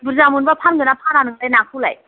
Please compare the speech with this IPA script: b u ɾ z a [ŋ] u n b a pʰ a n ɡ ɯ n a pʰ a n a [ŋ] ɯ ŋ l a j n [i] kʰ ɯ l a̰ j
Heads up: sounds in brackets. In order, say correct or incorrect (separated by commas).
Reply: incorrect, incorrect, incorrect